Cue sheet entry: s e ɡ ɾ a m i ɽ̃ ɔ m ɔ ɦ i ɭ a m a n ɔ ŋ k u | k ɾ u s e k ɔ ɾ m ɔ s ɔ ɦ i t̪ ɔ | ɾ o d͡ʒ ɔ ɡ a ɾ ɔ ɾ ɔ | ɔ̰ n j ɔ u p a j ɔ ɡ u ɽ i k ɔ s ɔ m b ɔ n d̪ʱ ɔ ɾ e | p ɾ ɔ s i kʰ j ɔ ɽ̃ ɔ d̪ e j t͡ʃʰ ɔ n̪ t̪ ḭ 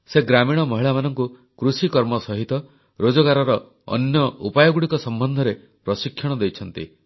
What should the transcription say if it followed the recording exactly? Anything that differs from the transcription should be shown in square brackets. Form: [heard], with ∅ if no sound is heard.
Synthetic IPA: s e ɡ ɾ a m i ɽ̃ ɔ m ɔ ɦ i ɭ a m a n ɔ ŋ k u | k ɾ u s [i] k ɔ ɾ m ɔ s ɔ ɦ i t̪ ɔ | ɾ o d͡ʒ ɔ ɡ a ɾ ɔ ɾ ɔ | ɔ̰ n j ɔ u p a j ɔ ɡ u ɽ i k ɔ s ɔ m b ɔ n d̪ʱ ɔ ɾ e | p ɾ ɔ s i kʰ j ɔ ɽ̃ ɔ d̪ e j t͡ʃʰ ɔ n̪ t̪ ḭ

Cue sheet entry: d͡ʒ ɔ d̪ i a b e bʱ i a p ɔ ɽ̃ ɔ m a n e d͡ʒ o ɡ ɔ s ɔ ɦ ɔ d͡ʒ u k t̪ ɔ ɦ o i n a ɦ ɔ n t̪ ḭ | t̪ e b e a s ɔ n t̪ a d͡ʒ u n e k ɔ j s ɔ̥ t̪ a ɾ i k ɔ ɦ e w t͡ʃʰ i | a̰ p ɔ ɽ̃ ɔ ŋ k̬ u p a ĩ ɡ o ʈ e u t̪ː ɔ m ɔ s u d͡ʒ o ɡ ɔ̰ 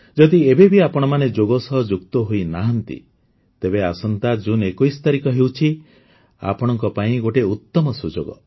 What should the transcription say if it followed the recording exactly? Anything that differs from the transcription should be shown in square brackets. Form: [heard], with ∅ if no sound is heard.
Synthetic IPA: d͡ʒ ɔ d̪ i [e] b e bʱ i a p ɔ ɽ̃ ɔ m a n e d͡ʒ o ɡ ɔ s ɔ ɦ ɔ d͡ʒ u k t̪ ɔ ɦ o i n a ɦ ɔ n t̪ ḭ | t̪ e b e a s ɔ n t̪ a d͡ʒ u n e k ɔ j s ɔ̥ t̪ a ɾ i k ɔ ɦ e w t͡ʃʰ i | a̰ p ɔ ɽ̃ ɔ ŋ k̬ [ɔ] p a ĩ ɡ o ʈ e u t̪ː ɔ m ɔ s u d͡ʒ o ɡ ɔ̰

